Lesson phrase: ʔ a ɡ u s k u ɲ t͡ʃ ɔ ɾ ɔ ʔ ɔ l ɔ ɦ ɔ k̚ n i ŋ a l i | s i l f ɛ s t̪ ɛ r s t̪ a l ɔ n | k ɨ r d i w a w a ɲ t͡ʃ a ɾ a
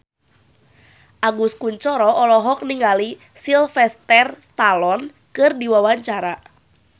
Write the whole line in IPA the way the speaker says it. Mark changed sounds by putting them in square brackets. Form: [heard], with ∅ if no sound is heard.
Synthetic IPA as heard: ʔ a ɡ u s k u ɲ t͡ʃ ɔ ɾ ɔ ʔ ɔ l ɔ ɦ ɔ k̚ n i ŋ a l i | s i l f ɛ s t̪ ɛ r s t̪ a l ɔ n | k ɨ r d i w a w a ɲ t͡ʃ a ɾ a